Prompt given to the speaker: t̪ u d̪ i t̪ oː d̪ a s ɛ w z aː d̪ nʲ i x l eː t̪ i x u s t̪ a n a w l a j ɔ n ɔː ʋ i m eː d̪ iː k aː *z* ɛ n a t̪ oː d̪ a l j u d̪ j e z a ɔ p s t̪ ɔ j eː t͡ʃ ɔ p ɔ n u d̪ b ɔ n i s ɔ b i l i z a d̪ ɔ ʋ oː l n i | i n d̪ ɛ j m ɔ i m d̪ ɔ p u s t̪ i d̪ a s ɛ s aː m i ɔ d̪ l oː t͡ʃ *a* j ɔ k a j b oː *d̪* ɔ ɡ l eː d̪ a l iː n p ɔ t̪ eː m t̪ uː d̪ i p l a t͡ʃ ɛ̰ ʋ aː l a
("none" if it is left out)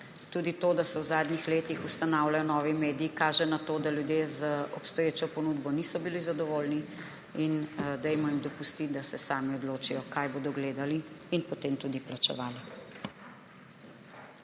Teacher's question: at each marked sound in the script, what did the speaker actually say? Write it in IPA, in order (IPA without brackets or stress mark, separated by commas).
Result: ʒ, i, d̪